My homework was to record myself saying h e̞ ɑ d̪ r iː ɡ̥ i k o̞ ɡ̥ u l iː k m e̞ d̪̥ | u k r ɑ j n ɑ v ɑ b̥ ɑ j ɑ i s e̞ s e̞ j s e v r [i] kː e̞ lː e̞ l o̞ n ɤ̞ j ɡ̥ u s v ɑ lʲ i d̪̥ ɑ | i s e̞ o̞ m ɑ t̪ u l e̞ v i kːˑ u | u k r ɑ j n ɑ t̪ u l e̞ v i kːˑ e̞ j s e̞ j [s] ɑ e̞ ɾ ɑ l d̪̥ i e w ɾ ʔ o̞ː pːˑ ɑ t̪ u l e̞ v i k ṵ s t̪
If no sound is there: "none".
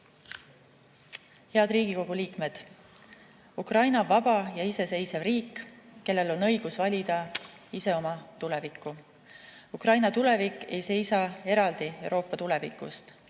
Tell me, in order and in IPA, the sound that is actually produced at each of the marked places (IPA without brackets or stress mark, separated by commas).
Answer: iː, s